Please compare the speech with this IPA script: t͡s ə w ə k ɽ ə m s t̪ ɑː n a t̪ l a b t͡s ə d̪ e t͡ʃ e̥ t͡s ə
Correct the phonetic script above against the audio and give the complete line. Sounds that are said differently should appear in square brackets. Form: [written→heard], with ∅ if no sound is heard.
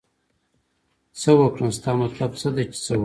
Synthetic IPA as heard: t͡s ə w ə k ɽ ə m s t̪ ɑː [n→m] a t̪ l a b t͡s ə d̪ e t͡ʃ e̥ t͡s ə